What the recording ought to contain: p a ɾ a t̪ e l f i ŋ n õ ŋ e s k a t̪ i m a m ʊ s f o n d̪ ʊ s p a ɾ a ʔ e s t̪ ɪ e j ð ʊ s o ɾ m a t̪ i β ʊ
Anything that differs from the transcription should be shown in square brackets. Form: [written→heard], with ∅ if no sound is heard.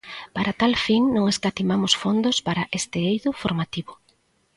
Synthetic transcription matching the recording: p a ɾ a t̪ [e→a] l f i ŋ n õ ŋ e s k a t̪ i m a m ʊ s f o n d̪ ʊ s p a ɾ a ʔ e s t̪ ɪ e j ð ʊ [s→f] o ɾ m a t̪ i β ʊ